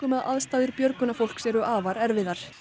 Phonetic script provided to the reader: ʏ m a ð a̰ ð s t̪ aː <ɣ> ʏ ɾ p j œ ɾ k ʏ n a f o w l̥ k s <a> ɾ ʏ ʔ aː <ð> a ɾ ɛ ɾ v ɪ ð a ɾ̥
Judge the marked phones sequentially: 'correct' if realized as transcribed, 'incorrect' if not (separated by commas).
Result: incorrect, incorrect, incorrect